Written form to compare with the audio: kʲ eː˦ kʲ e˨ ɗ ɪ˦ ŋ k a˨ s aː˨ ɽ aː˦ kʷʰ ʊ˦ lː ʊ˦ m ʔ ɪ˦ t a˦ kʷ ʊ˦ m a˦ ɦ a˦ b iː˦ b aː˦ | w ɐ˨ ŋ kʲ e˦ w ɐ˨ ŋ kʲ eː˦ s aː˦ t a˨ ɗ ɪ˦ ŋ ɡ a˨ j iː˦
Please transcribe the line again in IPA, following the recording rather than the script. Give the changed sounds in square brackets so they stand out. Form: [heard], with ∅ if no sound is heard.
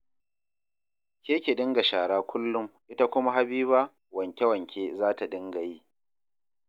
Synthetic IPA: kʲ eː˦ kʲ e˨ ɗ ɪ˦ ŋ [ɡ] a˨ [ʃ] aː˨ ɽ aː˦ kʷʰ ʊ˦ lː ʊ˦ m ʔ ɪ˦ t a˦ kʷ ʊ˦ m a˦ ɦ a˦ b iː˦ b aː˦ | w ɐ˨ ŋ kʲ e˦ w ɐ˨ ŋ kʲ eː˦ [z] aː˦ t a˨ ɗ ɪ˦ ŋ ɡ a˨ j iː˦